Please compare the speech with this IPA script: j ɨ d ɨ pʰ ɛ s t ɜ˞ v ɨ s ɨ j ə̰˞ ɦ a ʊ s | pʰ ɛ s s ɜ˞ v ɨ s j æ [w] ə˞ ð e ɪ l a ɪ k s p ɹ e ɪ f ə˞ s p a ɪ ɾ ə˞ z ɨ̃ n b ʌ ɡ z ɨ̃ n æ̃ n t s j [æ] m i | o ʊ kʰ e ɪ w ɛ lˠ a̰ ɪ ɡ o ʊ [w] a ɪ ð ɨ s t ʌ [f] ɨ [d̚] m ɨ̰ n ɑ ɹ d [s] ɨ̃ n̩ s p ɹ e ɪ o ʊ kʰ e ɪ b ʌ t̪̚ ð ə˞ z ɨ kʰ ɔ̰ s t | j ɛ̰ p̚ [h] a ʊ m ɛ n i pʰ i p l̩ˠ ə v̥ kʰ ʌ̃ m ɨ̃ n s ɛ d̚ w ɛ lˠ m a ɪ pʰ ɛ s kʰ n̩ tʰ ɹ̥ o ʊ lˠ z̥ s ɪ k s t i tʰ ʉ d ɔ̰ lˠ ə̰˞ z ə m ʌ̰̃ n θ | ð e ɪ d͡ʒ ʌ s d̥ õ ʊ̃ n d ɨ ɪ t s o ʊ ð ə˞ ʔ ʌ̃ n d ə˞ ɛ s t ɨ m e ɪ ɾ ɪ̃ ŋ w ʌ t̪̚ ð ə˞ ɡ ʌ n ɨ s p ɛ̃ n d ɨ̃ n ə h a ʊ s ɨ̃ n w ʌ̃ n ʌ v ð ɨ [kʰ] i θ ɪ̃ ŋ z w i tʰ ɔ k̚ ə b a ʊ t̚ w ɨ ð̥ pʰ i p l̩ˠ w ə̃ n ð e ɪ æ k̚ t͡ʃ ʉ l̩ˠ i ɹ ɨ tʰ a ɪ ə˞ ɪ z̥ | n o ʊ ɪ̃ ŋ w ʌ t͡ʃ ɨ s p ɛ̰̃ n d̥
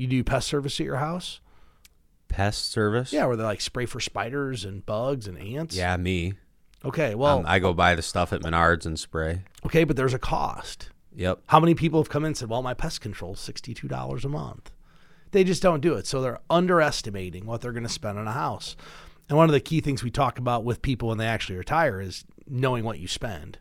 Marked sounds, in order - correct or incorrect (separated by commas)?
correct, correct, incorrect, correct, incorrect, incorrect, correct, correct